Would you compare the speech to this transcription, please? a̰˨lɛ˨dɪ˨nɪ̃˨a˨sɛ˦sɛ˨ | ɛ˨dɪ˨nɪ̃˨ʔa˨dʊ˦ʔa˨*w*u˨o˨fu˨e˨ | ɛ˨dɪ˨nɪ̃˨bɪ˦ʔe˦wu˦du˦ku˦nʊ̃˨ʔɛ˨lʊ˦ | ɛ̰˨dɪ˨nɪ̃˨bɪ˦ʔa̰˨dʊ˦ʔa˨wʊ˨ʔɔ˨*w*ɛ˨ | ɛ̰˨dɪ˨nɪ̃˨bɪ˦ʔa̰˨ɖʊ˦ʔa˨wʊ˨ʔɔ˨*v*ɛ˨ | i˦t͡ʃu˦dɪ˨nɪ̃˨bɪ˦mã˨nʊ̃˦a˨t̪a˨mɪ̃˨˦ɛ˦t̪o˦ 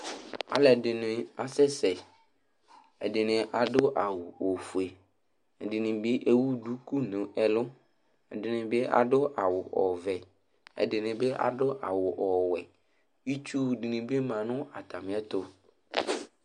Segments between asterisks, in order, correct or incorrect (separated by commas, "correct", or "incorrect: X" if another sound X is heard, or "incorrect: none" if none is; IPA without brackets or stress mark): correct, incorrect: v, incorrect: w